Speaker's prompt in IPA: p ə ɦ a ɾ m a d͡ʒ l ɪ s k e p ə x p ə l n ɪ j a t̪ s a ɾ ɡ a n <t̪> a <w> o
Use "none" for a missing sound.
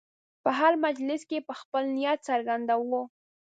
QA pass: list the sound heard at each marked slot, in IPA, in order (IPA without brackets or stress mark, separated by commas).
d̪, w